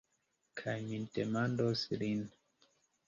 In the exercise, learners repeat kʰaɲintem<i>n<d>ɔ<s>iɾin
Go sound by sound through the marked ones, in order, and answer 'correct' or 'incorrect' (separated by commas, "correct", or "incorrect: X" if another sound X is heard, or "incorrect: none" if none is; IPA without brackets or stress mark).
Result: incorrect: a, correct, correct